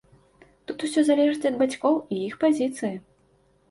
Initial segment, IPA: t̪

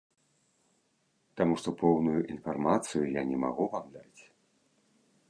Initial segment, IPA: t̪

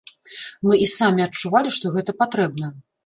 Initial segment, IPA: m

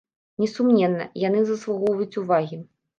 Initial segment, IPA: nʲ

